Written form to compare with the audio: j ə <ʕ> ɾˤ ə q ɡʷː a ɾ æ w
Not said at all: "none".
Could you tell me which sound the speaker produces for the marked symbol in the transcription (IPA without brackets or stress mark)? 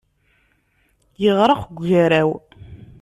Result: ʁ